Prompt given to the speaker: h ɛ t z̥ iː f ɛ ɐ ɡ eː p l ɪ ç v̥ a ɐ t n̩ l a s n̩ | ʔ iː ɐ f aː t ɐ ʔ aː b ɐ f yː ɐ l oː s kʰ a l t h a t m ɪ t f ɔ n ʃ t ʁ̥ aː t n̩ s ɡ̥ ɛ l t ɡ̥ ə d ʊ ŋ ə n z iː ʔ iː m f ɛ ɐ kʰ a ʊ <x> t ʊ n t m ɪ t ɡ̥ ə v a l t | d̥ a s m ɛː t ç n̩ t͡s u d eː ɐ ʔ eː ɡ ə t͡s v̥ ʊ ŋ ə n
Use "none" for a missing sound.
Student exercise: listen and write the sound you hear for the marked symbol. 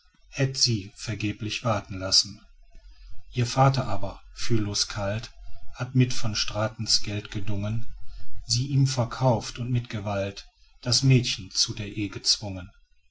f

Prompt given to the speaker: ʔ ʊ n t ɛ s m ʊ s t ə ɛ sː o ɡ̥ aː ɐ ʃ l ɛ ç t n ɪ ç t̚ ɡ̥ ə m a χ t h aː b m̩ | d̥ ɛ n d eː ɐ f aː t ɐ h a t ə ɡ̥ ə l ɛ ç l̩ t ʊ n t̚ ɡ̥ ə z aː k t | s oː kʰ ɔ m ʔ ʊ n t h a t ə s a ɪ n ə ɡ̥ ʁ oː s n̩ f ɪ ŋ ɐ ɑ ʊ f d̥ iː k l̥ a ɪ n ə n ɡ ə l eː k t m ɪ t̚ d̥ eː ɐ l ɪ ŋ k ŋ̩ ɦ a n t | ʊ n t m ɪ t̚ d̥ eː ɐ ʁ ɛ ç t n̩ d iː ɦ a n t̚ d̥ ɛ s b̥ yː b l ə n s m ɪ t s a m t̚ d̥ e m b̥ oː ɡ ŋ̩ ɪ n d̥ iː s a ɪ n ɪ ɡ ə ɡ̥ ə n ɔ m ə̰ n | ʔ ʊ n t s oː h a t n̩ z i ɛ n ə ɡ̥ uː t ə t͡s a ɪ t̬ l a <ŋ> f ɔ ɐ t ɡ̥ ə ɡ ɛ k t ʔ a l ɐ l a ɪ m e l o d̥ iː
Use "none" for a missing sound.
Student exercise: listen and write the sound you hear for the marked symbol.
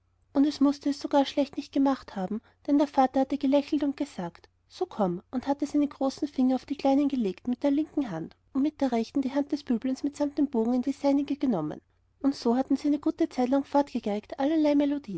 ŋ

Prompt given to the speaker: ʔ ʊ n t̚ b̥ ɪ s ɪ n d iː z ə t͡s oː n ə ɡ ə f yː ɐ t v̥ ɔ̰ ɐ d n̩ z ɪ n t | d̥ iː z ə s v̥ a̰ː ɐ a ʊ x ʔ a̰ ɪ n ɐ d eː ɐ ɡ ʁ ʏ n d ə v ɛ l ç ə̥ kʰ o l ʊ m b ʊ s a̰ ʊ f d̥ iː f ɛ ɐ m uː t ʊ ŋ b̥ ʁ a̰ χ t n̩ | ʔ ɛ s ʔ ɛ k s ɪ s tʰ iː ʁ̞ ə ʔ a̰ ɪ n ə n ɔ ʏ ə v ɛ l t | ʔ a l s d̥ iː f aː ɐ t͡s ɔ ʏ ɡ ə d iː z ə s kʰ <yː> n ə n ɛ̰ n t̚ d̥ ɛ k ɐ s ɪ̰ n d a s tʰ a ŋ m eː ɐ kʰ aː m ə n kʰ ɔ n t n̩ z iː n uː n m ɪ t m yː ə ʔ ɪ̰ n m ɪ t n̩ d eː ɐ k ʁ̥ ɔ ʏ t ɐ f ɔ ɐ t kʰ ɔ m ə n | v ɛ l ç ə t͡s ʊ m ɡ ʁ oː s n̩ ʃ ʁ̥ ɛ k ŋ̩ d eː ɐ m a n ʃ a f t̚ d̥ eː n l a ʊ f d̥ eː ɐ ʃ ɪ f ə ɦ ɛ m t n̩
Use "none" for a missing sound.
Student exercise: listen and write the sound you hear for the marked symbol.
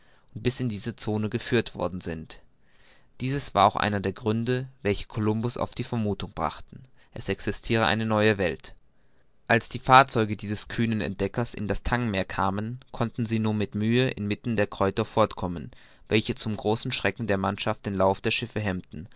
yː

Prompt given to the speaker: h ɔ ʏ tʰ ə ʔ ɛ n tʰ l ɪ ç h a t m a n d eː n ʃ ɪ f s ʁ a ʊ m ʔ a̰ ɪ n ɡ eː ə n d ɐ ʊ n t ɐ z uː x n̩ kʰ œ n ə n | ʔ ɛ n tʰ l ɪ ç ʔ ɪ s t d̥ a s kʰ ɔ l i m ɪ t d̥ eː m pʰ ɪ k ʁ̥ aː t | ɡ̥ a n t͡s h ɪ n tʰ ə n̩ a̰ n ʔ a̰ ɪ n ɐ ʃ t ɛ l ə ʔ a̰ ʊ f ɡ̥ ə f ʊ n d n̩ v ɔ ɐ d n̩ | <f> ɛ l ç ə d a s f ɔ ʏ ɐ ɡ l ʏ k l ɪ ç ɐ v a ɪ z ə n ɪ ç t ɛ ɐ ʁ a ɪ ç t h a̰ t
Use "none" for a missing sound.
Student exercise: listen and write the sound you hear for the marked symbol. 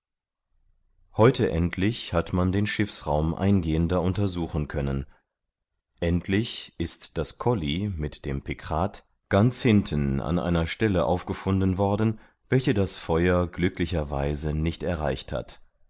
v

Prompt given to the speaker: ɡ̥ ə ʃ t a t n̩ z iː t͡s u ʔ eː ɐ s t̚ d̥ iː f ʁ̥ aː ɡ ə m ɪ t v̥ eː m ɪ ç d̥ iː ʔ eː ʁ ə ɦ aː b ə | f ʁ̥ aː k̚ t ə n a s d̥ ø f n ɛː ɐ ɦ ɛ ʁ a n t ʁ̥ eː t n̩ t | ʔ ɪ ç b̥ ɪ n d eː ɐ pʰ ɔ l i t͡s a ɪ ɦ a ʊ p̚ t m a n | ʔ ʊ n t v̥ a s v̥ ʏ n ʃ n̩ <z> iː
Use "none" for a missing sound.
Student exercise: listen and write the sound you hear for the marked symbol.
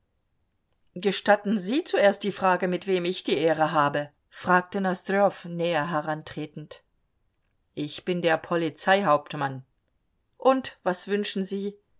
z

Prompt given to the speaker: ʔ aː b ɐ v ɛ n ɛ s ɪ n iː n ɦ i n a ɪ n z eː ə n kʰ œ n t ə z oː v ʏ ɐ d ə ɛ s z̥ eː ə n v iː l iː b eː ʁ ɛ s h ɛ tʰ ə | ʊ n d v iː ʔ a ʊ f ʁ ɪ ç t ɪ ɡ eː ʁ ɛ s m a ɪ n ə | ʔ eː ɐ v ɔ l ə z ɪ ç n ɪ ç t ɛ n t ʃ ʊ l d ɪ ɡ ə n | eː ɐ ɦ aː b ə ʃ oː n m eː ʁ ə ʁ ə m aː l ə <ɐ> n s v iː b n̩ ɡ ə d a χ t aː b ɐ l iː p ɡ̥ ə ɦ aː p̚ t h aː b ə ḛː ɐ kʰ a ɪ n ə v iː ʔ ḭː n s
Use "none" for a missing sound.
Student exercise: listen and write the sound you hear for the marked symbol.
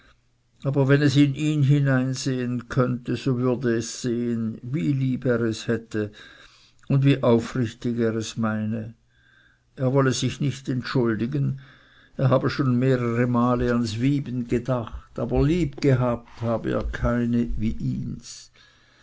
a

